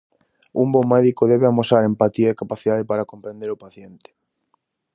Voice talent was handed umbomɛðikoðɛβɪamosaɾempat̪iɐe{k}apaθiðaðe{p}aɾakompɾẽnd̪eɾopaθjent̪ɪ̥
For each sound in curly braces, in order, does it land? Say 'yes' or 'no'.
yes, yes

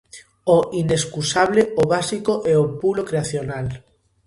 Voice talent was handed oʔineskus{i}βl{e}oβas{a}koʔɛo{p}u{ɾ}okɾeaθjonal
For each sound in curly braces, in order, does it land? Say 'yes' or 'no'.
no, yes, no, yes, no

